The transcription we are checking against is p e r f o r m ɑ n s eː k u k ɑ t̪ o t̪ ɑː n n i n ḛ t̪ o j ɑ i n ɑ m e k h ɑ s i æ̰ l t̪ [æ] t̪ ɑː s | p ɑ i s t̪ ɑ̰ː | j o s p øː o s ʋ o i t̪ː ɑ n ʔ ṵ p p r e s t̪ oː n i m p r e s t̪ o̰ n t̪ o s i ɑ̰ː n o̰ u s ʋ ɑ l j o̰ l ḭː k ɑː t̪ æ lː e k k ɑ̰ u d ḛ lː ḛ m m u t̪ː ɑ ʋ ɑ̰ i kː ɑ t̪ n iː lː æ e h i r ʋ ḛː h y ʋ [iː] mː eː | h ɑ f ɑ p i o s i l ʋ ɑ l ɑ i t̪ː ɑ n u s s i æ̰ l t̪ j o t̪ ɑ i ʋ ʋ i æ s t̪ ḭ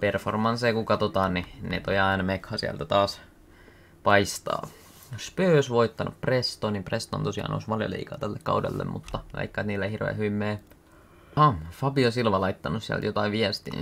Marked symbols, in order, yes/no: yes, no

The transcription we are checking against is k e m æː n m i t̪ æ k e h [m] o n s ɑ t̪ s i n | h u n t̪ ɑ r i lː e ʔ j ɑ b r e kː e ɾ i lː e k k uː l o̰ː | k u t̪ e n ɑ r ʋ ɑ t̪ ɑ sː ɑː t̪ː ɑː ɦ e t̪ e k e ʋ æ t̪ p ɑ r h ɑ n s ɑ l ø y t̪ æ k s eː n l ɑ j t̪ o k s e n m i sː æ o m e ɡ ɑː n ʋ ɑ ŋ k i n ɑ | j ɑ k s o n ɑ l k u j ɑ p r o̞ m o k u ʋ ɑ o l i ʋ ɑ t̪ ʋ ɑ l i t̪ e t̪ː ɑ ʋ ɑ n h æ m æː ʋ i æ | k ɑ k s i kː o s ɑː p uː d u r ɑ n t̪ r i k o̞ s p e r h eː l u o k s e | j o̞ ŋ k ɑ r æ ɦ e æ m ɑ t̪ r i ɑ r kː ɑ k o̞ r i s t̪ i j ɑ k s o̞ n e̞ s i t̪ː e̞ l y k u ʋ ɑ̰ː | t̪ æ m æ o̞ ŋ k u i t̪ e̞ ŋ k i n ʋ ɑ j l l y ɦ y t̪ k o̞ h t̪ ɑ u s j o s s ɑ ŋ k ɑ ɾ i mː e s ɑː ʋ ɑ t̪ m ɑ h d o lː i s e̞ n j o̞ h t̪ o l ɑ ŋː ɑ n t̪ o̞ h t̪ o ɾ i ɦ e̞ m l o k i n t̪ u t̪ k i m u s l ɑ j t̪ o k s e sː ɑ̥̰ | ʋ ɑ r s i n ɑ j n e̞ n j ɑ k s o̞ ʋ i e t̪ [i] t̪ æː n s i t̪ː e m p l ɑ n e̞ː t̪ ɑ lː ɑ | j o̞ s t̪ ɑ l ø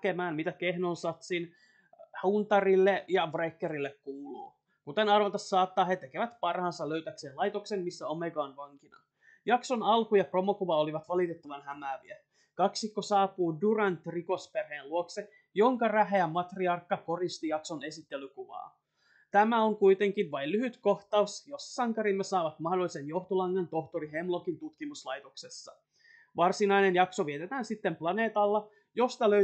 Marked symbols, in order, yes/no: no, no

